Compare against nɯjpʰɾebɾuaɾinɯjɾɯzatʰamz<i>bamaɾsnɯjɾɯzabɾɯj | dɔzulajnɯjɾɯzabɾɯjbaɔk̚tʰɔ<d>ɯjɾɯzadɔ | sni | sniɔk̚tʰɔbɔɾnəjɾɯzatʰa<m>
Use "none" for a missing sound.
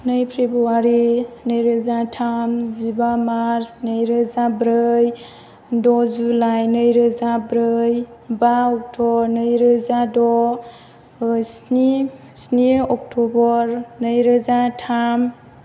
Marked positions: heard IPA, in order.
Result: i, n, m

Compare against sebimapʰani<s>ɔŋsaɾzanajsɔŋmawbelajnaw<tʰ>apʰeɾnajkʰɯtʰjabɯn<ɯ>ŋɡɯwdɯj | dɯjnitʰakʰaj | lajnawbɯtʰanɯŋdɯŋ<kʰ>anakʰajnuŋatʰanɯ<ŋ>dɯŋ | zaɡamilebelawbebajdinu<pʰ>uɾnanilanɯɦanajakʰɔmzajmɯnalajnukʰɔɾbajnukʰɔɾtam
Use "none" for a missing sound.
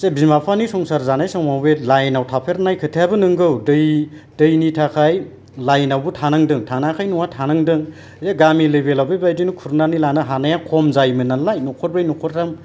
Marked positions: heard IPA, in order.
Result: s, tʰ, ɯ, tʰ, ŋ, kʰ

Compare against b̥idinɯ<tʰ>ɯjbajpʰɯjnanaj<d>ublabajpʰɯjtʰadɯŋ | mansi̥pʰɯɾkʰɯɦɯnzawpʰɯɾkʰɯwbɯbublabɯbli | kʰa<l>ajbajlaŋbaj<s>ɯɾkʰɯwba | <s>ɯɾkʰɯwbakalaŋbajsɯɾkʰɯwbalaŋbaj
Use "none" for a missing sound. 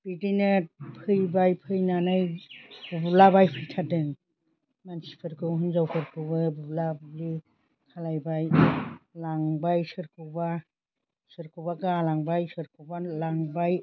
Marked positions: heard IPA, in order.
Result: pʰ, b, l, s, s

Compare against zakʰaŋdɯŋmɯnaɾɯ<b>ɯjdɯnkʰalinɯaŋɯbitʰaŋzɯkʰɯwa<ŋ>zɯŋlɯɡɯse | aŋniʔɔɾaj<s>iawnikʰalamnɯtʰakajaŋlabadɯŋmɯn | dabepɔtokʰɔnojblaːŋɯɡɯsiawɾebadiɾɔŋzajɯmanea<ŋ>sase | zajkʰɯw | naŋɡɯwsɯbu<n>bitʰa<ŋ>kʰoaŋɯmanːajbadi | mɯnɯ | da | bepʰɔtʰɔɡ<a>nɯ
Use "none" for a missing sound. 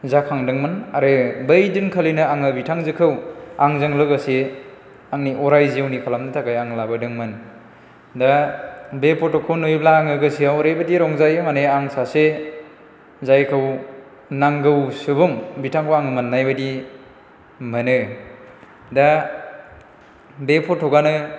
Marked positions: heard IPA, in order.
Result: b, ŋ, z, ŋ, ŋ, ŋ, a

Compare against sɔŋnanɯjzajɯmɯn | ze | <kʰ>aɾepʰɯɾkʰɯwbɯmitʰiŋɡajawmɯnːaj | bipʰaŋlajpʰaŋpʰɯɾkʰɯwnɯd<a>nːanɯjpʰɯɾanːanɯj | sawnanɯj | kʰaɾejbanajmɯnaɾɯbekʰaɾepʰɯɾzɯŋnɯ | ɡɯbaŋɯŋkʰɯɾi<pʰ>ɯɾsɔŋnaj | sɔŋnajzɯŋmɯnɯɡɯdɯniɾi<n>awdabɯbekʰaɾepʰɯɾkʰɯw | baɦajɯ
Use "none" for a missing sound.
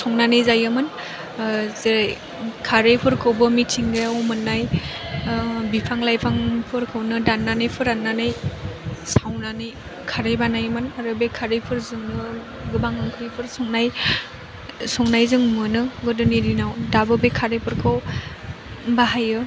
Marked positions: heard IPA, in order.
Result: kʰ, a, pʰ, n

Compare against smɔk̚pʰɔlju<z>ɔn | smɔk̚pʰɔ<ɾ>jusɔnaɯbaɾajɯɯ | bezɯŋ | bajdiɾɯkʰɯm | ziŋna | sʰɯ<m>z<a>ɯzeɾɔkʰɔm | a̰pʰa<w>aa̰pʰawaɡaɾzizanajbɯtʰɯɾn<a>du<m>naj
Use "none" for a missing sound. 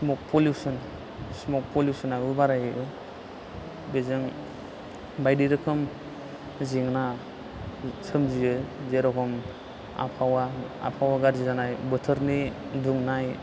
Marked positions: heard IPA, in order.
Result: s, l, m, i, w, i, ŋ

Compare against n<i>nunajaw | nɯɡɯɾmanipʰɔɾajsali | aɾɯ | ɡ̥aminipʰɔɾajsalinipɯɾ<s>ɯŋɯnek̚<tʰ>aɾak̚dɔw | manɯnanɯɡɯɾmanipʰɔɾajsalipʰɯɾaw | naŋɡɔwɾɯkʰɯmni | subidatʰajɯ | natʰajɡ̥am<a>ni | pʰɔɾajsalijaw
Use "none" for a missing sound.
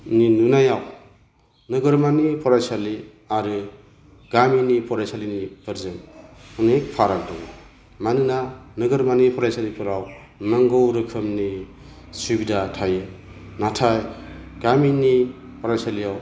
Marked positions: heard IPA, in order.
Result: i, z, pʰ, i

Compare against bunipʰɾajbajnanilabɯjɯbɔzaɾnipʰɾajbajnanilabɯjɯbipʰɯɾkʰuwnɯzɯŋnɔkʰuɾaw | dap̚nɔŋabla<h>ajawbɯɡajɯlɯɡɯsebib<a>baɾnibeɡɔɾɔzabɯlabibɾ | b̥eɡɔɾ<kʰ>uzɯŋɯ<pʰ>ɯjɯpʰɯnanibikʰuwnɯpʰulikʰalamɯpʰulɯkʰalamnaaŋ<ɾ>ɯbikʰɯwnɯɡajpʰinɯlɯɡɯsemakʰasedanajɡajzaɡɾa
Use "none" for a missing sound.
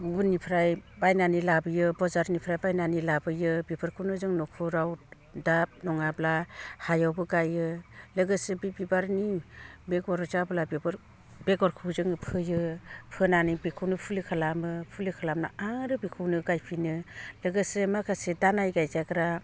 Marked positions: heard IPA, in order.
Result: h, i, kʰ, pʰ, ɾ

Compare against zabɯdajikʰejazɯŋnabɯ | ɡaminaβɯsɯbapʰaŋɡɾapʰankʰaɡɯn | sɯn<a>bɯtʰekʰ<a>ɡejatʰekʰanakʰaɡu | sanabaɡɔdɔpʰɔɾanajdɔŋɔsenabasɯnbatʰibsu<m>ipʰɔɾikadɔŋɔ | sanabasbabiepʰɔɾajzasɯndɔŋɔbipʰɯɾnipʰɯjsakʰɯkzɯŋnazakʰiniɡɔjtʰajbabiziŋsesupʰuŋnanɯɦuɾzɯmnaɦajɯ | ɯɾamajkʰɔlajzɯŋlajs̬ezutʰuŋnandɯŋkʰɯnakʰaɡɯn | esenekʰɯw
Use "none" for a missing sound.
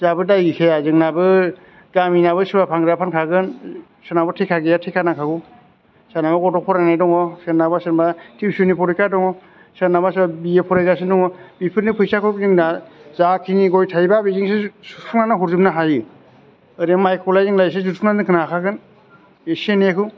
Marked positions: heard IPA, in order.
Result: a, a, n

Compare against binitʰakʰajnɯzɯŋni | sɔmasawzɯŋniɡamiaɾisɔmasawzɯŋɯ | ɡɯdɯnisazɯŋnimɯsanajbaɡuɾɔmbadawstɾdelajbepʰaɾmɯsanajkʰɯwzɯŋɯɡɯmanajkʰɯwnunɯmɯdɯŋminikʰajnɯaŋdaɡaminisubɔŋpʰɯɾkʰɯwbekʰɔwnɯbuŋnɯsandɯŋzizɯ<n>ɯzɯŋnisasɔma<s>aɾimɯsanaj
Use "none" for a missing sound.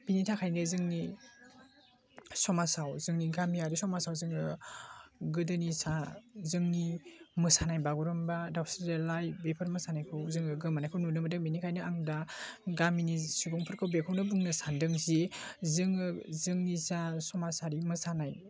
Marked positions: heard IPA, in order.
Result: ŋ, s

